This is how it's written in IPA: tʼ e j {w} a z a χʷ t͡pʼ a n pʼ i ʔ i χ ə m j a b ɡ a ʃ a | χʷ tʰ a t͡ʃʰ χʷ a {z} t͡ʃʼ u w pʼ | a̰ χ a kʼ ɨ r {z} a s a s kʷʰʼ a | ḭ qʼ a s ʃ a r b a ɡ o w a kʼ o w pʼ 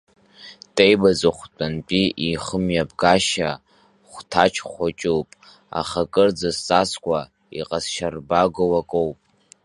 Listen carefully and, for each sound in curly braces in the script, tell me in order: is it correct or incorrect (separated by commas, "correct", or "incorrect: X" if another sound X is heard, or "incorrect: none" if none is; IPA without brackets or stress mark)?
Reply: incorrect: b, incorrect: none, incorrect: d͡z